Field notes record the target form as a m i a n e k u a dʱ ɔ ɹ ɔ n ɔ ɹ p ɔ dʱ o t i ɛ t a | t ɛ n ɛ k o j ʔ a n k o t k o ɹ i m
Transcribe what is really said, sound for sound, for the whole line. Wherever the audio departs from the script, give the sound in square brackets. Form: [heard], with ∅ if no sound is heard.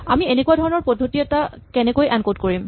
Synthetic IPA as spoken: a m i [e] n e k u a dʱ ɔ ɹ ɔ n ɔ ɹ p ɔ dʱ o t i ɛ t a | [k] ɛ n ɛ k o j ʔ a n k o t k o ɹ i m